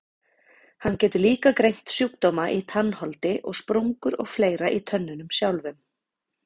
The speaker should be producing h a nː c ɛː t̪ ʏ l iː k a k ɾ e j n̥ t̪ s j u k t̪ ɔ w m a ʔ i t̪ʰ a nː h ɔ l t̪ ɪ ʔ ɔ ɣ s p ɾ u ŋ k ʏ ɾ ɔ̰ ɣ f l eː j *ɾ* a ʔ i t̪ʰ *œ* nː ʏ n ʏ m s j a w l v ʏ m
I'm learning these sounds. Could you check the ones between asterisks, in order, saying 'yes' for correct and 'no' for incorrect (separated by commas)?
yes, yes